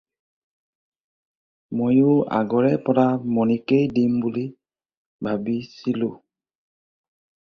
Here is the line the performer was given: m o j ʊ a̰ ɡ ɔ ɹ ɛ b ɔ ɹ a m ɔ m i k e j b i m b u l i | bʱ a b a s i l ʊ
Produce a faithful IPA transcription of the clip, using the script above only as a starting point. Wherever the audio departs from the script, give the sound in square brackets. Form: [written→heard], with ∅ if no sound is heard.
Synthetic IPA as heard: m o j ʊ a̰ ɡ ɔ ɹ ɛ [b→p] ɔ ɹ a m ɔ [m→n] i k e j [b→d] i m b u l i | bʱ a b [a→i] s i l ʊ